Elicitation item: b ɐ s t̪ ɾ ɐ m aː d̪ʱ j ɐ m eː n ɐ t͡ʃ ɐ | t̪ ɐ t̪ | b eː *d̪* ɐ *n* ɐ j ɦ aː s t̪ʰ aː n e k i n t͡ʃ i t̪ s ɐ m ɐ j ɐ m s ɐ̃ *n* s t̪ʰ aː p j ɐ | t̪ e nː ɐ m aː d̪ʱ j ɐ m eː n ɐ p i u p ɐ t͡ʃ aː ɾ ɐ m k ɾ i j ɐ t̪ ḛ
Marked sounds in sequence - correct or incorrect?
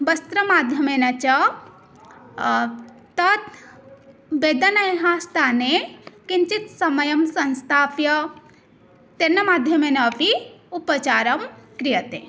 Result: correct, correct, correct

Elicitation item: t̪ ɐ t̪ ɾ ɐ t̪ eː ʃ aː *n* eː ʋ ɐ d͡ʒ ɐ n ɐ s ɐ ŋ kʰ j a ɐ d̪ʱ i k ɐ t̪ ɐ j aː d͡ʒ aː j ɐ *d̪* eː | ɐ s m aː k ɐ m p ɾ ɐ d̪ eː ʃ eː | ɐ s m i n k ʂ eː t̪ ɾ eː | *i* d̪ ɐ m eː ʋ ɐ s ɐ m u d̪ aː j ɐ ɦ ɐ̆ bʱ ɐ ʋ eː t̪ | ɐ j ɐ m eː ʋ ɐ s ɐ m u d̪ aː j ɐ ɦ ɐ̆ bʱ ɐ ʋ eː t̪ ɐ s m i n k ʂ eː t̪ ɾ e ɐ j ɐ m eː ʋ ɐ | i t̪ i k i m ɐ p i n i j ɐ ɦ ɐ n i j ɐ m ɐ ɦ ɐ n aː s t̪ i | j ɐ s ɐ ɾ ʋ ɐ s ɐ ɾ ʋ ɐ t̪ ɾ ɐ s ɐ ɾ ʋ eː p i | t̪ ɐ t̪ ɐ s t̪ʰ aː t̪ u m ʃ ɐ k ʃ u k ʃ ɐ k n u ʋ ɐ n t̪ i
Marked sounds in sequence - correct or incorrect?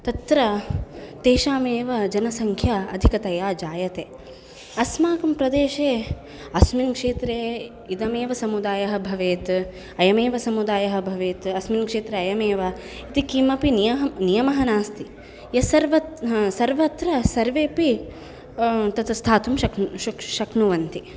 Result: incorrect, incorrect, correct

